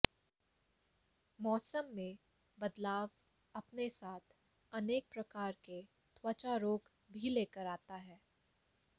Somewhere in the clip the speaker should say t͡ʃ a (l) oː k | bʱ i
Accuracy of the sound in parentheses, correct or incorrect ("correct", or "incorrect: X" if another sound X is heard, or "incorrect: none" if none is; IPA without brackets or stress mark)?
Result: incorrect: ɾ